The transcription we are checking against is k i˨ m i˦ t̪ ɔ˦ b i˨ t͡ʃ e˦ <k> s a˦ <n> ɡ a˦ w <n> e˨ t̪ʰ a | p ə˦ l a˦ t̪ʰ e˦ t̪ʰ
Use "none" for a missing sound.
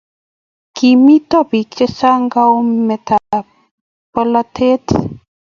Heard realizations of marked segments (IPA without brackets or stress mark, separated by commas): none, ŋ, m